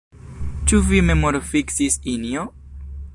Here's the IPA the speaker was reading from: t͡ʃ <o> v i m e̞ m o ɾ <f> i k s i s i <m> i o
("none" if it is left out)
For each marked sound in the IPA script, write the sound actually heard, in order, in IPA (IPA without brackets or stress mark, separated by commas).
u, f, n